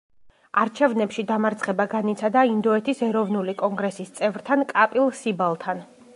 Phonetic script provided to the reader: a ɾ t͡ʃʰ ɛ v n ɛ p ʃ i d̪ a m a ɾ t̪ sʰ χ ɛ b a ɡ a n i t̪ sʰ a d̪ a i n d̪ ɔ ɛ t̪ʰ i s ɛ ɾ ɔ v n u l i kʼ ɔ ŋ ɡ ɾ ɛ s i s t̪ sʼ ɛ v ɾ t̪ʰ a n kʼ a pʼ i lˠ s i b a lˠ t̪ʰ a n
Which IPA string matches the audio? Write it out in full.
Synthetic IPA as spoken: a ɾ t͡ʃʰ ɛ v n ɛ p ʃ i d̪ a m a ɾ t̪ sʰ χ ɛ b a ɡ a n i t̪ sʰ a d̪ a i n d̪ ɔ ɛ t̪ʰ i s ɛ ɾ ɔ v n u l i kʼ ɔ ŋ ɡ ɾ ɛ s i s t̪ sʼ ɛ v ɾ t̪ʰ a n kʼ a pʼ i lˠ s i b a lˠ t̪ʰ a n